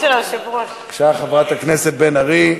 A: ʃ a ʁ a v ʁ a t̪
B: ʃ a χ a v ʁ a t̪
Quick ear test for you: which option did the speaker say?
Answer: B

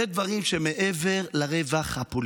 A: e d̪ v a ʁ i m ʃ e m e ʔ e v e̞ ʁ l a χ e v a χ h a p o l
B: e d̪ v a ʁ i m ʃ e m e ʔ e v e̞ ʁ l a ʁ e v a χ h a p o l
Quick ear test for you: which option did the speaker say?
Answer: B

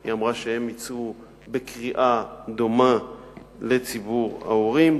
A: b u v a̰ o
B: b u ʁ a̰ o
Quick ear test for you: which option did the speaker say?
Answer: B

